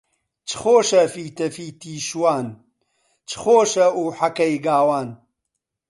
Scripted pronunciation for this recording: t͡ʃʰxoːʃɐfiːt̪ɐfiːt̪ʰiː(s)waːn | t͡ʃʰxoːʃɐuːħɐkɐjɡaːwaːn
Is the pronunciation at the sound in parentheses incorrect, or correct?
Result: incorrect: ʃ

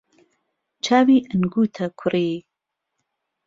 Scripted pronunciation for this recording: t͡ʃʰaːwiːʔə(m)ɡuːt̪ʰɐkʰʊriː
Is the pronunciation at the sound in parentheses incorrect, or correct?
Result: incorrect: n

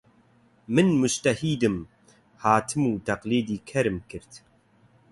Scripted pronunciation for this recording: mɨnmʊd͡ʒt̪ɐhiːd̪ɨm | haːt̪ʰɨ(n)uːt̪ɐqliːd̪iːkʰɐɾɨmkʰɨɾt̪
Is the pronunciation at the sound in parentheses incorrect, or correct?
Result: incorrect: m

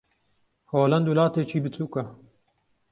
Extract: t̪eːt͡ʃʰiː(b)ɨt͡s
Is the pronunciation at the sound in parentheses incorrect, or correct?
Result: correct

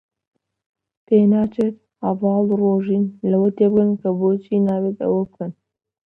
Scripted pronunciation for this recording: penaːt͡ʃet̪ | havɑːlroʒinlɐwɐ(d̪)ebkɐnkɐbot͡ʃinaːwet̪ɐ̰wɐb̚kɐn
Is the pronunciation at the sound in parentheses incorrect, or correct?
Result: incorrect: t̪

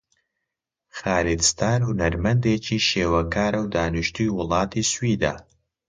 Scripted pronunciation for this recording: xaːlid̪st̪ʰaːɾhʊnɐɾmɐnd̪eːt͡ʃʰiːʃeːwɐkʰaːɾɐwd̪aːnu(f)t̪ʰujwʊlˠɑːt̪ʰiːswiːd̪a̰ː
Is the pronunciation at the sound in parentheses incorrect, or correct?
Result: incorrect: ʃ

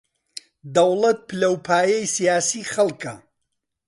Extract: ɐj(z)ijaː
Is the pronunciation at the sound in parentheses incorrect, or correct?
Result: incorrect: s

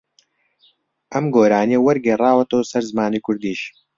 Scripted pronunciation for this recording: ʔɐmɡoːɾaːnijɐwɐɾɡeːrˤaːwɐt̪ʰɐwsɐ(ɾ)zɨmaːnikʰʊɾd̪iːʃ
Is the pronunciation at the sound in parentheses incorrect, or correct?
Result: correct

